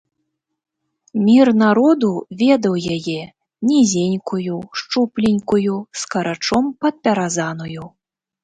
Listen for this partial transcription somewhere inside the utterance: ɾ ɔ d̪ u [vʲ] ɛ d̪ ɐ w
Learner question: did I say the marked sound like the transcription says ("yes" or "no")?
yes